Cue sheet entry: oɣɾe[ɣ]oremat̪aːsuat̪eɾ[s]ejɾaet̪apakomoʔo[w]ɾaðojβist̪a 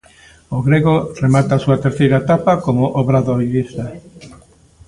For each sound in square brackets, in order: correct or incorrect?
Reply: correct, incorrect: θ, incorrect: β

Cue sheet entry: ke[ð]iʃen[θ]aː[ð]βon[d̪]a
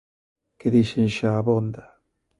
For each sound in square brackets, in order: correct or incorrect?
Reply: correct, incorrect: ʃ, incorrect: none, correct

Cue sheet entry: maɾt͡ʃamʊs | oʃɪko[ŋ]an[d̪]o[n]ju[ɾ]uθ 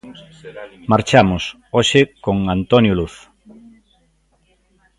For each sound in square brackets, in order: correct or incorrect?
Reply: correct, incorrect: t̪, correct, incorrect: l

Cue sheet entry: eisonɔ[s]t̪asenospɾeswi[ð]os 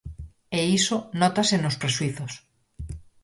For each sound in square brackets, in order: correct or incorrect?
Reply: incorrect: none, incorrect: θ

